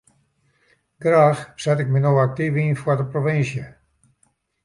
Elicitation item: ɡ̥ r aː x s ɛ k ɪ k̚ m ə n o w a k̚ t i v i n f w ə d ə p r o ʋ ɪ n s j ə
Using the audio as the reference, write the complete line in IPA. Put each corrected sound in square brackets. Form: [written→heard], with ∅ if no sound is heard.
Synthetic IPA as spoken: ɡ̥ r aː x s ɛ [k→t] ɪ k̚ m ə n o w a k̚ t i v i n f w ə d ə p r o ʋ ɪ n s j ə

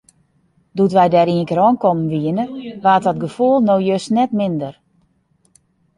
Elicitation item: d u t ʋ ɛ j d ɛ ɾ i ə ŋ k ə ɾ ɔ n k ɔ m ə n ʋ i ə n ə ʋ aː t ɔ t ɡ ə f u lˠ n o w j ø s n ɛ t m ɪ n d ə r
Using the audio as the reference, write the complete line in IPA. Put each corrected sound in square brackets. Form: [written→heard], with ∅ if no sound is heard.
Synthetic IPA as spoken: d u t ʋ ɛ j d ɛ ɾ i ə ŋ k ə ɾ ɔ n k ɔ m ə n ʋ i ə n ə ʋ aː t ɔ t ɡ ə f u lˠ n o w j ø s n ɛ t m ɪ n d ə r

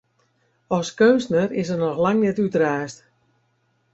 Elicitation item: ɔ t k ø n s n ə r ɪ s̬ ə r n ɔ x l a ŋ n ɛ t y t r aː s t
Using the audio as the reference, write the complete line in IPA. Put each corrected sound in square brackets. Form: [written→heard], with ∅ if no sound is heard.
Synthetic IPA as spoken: ɔ [t→s] k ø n s n ə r ɪ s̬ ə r n ɔ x l a ŋ n ɛ t y t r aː s t

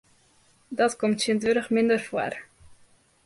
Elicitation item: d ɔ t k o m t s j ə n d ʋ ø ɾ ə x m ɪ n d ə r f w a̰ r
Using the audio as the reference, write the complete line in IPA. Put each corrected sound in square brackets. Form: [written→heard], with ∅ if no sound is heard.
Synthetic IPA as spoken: d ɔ t k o m t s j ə n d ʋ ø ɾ ə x m ɪ n d ə r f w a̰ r

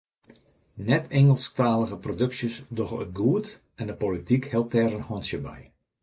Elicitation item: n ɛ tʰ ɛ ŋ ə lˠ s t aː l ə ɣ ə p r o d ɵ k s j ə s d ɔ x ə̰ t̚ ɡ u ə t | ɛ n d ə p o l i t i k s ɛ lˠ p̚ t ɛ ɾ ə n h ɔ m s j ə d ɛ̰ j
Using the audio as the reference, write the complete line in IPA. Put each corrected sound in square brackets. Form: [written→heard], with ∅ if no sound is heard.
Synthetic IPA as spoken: n ɛ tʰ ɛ ŋ ə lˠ s t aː l ə ɣ ə p r o d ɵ k s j ə s d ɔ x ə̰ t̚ ɡ u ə t | ɛ n d ə p o l i t i k [s→h] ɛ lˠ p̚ t ɛ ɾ ə n h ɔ [m→n] s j ə [d→b] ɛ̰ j

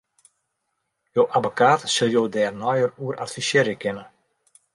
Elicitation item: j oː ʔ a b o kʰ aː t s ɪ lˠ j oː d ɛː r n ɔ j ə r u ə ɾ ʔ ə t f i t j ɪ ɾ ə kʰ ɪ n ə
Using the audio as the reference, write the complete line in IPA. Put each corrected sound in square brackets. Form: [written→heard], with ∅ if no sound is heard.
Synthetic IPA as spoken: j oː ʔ a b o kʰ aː t s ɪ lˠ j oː d ɛː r n ɔ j ə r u ə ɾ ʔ [ə→a] t f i [t→s] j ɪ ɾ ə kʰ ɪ n ə

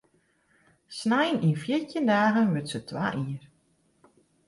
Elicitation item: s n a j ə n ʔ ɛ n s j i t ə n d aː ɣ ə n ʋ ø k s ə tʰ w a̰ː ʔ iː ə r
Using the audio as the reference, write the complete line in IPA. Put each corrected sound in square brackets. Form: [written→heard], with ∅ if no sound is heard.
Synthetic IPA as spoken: s n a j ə n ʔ [ɛ→i] n [s→f] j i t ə n d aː ɣ ə n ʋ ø [k→t] s ə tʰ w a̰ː ʔ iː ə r

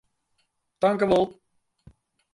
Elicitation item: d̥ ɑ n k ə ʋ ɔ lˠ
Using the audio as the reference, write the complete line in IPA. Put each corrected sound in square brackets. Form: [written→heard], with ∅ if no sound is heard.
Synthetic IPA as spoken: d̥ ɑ [n→ŋ] k ə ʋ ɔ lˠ

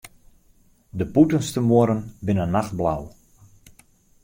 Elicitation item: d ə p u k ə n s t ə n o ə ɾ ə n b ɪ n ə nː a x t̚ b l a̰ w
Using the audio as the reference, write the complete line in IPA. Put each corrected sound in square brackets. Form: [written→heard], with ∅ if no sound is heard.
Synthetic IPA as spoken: d ə p u [k→t] ə n s t ə [n→m] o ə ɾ ə n b ɪ n ə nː a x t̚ b l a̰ w

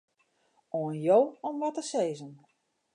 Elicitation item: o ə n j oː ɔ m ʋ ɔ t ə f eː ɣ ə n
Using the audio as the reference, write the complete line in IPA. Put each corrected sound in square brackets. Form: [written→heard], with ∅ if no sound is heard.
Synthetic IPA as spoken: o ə n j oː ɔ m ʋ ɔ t ə [f→s] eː [ɣ→z] ə n

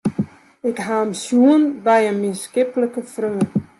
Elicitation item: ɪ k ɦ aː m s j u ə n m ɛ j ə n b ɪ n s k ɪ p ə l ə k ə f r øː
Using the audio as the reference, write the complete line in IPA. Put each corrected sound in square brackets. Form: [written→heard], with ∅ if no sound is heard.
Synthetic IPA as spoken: ɪ k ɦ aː m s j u ə n [m→b] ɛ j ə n [b→m] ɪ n s k ɪ p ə l ə k ə f r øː

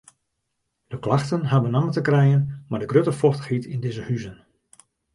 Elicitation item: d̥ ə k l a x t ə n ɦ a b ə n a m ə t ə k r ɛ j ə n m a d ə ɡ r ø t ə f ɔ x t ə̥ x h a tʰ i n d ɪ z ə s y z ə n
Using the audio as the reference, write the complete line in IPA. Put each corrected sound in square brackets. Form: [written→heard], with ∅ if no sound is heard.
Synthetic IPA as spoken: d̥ ə k l a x t ə n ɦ a b ə n a m ə t ə k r ɛ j ə n m a d ə ɡ r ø t ə f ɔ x t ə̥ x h [a→i] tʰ i n d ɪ z ə [s→h] y z ə n

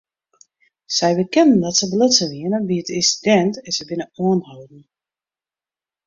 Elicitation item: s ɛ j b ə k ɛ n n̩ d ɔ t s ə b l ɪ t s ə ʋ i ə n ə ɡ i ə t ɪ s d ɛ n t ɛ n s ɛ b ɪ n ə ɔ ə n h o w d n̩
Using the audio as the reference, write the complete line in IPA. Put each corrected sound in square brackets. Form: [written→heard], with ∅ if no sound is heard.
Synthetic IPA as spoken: s ɛ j b ə k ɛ n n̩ d ɔ t s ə b l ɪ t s ə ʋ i ə n ə [ɡ→b] i ə t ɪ s d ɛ n t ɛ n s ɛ b ɪ n ə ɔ ə n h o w d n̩

